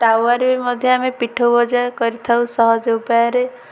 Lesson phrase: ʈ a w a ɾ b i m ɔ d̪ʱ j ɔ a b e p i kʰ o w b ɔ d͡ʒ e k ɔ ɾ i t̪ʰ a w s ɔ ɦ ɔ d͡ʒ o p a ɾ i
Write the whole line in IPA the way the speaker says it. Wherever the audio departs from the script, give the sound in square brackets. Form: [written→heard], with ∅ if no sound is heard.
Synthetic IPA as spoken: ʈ a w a ɾ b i m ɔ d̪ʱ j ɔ a [b→m] e p i [kʰ→ʈʰ] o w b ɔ d͡ʒ [e→a] k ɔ ɾ i t̪ʰ a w s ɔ ɦ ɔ d͡ʒ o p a ɾ [i→e]

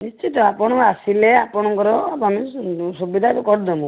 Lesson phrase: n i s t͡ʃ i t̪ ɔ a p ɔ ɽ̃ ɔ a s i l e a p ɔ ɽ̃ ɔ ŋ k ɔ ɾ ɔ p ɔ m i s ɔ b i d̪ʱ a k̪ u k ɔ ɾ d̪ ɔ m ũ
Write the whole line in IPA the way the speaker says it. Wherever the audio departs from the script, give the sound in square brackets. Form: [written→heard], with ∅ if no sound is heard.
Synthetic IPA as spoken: n i s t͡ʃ i t̪ ɔ a p ɔ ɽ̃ ɔ a s i l e a p ɔ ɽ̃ ɔ ŋ k ɔ ɾ ɔ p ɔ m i s [ɔ→u] b i d̪ʱ a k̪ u k ɔ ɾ d̪ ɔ m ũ

